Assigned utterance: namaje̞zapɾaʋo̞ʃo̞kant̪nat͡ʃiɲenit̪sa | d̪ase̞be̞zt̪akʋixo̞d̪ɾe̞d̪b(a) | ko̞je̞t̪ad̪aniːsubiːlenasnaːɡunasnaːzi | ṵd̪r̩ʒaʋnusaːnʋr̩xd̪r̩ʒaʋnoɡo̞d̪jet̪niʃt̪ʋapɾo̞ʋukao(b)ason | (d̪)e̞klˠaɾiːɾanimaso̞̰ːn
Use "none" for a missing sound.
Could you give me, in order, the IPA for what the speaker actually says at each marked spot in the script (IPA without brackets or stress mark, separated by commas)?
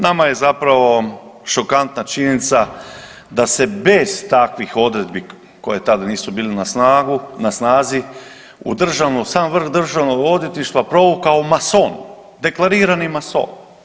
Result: i, m, d̪